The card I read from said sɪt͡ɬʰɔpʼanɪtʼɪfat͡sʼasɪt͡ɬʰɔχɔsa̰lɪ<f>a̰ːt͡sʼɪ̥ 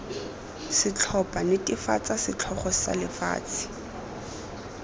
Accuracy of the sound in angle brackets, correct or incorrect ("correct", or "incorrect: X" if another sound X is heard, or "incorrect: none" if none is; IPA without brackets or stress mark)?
correct